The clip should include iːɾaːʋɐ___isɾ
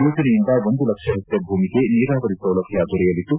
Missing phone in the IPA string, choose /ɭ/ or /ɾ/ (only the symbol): ɾ